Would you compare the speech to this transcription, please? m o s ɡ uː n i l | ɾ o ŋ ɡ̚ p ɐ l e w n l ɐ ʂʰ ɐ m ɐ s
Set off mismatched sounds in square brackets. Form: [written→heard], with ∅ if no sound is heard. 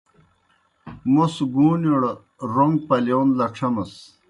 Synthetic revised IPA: m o s ɡ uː n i [l→ɽ] | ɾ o ŋ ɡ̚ p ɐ l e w n l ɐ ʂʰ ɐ m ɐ s